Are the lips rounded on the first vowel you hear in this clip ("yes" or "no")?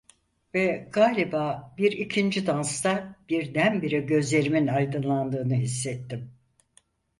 no